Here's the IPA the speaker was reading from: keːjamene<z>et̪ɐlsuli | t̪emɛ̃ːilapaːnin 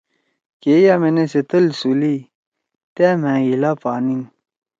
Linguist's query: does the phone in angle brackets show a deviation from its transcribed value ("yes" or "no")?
yes